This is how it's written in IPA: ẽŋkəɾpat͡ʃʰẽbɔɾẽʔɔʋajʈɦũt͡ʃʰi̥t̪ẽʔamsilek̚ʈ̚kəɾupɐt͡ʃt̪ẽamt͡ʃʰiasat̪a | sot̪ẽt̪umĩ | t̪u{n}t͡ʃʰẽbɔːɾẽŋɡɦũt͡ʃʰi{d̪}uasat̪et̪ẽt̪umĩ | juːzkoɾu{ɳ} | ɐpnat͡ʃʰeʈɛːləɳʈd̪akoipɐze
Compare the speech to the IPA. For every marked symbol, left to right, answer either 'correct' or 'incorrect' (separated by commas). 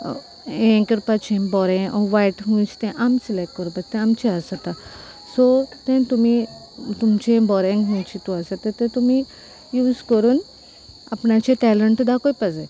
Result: incorrect, incorrect, incorrect